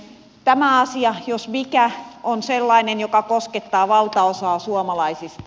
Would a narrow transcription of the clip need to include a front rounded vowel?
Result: no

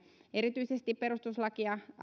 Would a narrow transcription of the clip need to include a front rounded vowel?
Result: yes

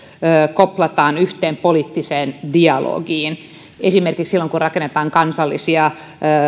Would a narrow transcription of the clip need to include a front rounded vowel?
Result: yes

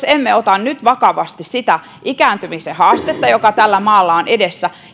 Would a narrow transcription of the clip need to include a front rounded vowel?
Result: yes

